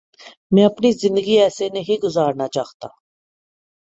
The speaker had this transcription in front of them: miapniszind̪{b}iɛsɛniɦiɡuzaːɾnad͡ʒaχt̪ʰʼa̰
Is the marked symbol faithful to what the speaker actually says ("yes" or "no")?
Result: no